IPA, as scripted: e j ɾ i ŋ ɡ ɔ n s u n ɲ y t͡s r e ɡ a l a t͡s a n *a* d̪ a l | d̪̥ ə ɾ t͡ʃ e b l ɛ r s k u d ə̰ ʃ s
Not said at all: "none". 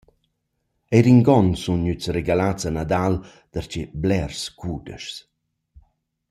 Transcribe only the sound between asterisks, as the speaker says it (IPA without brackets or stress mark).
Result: a